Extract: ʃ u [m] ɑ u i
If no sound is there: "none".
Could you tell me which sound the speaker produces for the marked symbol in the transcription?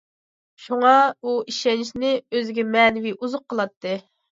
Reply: ŋ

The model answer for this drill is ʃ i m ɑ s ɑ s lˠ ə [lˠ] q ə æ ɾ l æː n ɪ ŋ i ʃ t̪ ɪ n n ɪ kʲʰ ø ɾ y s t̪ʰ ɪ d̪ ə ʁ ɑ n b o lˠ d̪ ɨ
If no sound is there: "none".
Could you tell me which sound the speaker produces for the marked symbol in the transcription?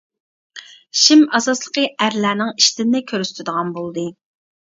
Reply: none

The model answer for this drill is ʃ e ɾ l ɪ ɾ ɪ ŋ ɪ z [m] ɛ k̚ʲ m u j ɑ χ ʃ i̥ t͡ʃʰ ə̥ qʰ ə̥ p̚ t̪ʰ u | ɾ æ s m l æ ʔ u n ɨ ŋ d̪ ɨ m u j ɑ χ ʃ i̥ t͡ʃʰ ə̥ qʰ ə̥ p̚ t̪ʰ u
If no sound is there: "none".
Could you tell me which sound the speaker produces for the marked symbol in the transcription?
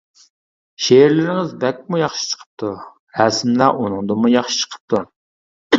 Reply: b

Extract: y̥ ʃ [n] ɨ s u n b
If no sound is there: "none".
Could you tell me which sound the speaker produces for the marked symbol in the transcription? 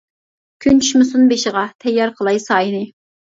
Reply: m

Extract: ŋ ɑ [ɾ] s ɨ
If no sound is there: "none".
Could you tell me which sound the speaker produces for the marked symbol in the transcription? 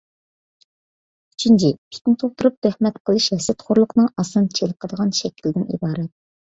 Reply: none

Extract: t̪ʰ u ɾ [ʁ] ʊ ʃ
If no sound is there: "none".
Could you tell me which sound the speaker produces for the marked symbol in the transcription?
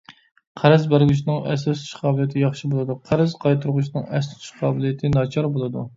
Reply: ʁ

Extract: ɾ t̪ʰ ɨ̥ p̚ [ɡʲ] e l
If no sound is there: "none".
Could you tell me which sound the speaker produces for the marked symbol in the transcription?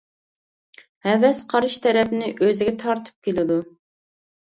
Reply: kʲ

